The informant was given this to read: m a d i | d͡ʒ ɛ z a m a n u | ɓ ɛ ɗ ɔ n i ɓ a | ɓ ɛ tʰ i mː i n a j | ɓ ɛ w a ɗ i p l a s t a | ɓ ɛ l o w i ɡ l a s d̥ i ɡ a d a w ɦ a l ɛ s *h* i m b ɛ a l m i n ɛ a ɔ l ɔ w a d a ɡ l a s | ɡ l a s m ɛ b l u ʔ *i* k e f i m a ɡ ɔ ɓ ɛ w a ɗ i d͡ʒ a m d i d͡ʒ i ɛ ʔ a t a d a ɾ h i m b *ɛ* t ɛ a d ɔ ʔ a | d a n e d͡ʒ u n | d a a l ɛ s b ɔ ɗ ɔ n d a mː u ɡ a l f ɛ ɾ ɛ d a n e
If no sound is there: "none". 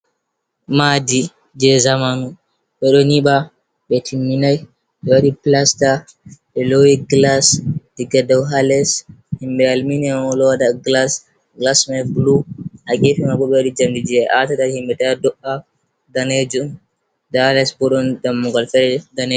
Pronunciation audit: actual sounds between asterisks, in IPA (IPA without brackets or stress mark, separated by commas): h, a, ɛ